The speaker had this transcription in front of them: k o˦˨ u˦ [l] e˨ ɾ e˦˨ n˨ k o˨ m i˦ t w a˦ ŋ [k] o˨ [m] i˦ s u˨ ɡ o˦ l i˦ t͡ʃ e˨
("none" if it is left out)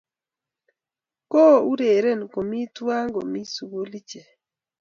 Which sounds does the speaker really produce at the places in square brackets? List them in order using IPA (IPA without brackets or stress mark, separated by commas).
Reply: ɾ, ɡ, m